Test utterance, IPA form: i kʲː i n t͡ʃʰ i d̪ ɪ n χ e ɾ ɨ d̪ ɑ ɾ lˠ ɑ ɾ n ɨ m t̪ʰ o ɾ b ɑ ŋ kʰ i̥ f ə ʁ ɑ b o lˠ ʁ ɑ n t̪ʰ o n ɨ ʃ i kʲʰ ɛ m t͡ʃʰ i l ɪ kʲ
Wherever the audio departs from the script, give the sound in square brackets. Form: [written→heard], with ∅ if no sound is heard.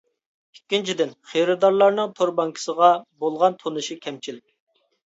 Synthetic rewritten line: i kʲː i n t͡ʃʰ i d̪ ɪ n χ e ɾ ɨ d̪ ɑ ɾ lˠ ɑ ɾ n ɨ [m→ŋ] t̪ʰ o ɾ b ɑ ŋ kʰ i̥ [f→s] ə ʁ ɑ b o lˠ ʁ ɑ n t̪ʰ o n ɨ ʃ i kʲʰ ɛ m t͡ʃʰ i l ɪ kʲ